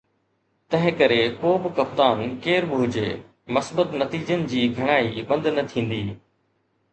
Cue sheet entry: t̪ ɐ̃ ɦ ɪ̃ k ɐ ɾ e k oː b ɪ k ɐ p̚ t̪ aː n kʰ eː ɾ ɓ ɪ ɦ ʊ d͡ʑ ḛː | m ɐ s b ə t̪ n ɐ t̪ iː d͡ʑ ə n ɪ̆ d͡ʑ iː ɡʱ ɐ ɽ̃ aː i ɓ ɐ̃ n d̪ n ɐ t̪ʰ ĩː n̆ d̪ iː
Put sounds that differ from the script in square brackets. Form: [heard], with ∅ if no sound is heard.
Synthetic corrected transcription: t̪ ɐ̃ ɦ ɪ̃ k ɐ ɾ e k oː b ɪ k ɐ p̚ t̪ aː n [k] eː ɾ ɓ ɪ ɦ ʊ d͡ʑ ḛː | m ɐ s b ə t̪ n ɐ t̪ iː d͡ʑ ə n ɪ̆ d͡ʑ iː ɡʱ ɐ ɽ̃ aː i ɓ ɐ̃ n d̪ n ɐ t̪ʰ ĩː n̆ d̪ iː